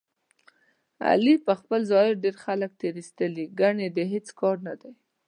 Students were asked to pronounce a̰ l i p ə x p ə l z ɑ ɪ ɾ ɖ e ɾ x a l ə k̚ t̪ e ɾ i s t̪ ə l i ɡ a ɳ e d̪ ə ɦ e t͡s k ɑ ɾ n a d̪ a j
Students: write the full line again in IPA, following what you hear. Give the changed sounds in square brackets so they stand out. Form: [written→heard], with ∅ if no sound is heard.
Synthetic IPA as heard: a̰ l i p ə x p ə l z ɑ ɪ ɾ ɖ e ɾ x a l ə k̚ t̪ e ɾ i s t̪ ə l i ɡ a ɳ e d̪ ə ɦ e t͡s k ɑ ɾ n a d̪ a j